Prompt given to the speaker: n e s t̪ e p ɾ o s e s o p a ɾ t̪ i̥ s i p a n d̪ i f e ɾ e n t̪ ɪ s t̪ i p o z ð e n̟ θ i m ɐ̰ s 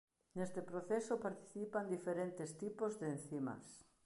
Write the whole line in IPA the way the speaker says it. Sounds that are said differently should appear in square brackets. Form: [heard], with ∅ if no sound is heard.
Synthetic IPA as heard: n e s t̪ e p ɾ o [θ] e s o p a ɾ t̪ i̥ [θ] i p a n d̪ i f e ɾ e n t̪ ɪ s t̪ i p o z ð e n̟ θ i m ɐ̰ s

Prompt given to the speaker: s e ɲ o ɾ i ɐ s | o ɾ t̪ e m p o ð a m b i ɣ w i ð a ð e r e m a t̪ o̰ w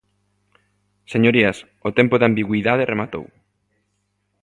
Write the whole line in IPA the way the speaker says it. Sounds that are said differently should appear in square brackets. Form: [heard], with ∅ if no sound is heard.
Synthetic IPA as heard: s e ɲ o ɾ i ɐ s | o [∅] t̪ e m p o ð a m b i ɣ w i ð a ð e r e m a t̪ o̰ w

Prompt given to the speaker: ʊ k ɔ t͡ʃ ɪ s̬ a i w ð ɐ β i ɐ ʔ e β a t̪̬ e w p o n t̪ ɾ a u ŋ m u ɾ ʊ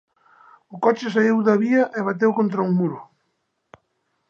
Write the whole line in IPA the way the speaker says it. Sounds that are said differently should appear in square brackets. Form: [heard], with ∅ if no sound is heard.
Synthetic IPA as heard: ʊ k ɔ t͡ʃ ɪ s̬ a i w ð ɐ β i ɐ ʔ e β a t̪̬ e w [k] o n t̪ ɾ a u ŋ m u ɾ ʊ

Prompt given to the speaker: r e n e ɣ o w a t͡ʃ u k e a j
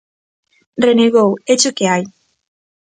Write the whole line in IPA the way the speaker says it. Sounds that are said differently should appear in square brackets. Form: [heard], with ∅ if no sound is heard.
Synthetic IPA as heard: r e n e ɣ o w [e] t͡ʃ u k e a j

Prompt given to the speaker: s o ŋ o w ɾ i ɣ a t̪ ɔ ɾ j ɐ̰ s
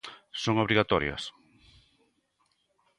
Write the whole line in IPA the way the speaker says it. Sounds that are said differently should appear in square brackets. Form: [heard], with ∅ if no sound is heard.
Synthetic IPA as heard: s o ŋ o [β] ɾ i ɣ a t̪ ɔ ɾ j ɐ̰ s

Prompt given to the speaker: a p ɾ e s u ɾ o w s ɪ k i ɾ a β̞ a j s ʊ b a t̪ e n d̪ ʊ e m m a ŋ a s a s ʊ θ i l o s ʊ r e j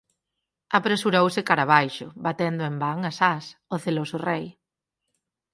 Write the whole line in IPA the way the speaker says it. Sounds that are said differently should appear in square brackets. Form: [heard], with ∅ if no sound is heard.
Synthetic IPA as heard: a p ɾ e s u ɾ o w s ɪ k [a] ɾ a β̞ a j [ʃ] ʊ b a t̪ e n d̪ ʊ e m [b] a ŋ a s a s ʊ θ [e] l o s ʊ r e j

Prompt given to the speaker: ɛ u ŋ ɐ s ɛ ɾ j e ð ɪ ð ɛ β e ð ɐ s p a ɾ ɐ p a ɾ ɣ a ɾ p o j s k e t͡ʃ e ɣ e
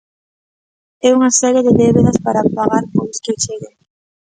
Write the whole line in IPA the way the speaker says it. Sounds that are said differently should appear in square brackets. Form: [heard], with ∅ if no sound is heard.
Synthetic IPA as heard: ɛ u ŋ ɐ s ɛ ɾ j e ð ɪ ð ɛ β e ð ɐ s p a ɾ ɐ p a [∅] ɣ a ɾ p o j s k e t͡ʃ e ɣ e

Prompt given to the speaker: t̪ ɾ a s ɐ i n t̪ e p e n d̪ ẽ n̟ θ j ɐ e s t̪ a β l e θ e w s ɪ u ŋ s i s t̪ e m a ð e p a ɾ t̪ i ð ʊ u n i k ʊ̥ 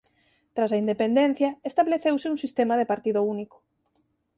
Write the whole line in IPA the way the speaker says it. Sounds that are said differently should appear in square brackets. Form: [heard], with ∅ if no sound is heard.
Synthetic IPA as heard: t̪ ɾ a s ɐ i n [d̪] e p e n d̪ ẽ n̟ θ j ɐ e s t̪ a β l e θ e w s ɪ u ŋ s i s t̪ e m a ð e p a ɾ t̪ i ð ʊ u n i k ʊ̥

